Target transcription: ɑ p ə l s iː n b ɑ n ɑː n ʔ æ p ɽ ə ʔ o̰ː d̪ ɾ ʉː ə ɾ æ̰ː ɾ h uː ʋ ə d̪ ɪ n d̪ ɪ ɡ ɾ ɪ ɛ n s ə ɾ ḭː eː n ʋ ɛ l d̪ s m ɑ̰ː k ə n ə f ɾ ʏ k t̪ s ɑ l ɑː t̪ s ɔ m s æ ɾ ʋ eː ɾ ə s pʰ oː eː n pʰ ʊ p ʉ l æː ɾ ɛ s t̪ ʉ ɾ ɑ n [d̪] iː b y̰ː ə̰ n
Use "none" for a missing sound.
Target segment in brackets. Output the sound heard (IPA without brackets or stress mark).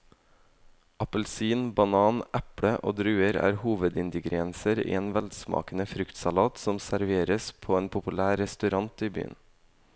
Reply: t̪